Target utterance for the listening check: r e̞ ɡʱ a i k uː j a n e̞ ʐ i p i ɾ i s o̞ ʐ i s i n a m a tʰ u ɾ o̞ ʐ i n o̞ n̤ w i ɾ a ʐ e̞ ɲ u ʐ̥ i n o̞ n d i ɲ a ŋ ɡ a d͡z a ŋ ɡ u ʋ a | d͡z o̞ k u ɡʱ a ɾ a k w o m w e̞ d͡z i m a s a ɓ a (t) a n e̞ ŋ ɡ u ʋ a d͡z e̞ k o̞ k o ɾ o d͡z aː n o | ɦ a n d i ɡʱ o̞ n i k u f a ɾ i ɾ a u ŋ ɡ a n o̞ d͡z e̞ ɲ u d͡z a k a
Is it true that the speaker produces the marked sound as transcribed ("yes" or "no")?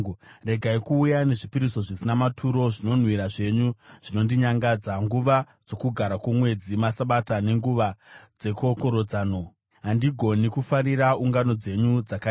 yes